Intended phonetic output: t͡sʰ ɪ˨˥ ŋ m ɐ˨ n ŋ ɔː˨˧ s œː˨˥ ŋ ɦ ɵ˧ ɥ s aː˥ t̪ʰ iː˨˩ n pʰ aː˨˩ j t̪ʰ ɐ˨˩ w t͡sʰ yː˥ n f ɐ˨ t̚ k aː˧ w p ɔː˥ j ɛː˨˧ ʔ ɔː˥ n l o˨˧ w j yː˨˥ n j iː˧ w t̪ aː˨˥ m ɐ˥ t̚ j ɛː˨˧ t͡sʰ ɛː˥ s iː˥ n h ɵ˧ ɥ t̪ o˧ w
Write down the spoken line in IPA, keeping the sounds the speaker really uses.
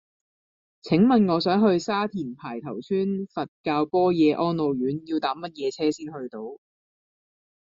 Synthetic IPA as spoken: t͡sʰ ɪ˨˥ ŋ m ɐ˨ n ŋ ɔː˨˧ s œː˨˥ ŋ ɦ ɵ˧ ɥ s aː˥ t̪ʰ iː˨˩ n pʰ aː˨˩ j t̪ʰ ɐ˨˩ w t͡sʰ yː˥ n f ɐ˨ t̚ k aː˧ w p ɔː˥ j ɛː˨˧ ʔ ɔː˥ n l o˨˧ w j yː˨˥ n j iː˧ w t̪ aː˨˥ m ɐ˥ t̚ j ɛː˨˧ t͡sʰ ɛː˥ s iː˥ n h ɵ˧ ɥ t̪ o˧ w